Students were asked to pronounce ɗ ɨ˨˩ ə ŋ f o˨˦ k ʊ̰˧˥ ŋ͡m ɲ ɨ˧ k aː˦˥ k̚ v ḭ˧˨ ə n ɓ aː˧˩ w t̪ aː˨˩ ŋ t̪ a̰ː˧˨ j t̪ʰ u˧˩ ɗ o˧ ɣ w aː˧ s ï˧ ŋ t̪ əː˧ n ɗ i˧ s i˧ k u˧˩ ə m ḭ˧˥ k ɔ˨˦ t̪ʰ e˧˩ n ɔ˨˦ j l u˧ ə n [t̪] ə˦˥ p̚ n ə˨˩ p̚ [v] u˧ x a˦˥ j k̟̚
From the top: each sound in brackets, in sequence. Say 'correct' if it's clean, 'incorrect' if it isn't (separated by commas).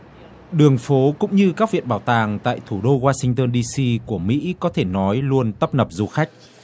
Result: correct, incorrect